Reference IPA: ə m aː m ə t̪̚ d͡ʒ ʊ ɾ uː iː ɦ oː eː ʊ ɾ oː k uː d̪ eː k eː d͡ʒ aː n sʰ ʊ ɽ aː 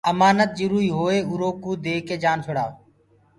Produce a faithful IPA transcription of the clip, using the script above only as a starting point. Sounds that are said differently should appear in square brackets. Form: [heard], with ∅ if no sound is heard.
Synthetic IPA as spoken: ə m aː [n] ə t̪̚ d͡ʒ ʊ ɾ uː iː ɦ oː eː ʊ ɾ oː k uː d̪ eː k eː d͡ʒ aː n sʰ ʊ ɽ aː